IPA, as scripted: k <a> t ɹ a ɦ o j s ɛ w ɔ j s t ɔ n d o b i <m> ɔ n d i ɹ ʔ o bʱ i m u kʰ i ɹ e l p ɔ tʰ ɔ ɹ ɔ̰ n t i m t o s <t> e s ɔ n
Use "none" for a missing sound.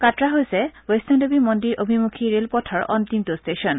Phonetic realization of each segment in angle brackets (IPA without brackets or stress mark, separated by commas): a, m, t